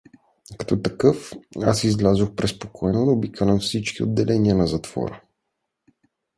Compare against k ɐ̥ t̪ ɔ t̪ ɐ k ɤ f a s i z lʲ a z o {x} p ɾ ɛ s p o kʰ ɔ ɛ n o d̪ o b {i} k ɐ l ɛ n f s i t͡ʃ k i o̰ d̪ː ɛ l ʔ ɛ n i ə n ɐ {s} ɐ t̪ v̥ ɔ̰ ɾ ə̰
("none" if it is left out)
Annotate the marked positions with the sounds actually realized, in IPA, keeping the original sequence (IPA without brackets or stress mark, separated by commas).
x, i, z